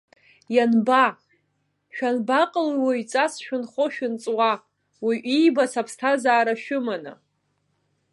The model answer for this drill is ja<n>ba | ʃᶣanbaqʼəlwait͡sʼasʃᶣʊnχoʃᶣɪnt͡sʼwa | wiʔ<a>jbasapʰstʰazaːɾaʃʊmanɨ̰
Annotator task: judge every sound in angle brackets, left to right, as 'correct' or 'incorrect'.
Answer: correct, incorrect

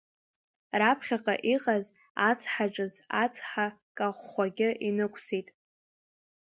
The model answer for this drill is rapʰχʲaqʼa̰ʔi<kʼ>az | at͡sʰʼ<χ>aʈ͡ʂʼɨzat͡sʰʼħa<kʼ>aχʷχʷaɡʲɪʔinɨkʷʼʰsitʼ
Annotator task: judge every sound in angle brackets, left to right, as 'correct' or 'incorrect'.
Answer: incorrect, incorrect, correct

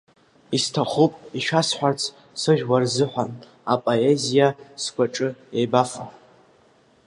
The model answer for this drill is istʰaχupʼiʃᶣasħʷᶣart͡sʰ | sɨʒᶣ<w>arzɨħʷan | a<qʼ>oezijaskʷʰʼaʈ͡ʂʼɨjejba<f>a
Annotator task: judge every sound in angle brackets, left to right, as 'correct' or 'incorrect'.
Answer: correct, incorrect, correct

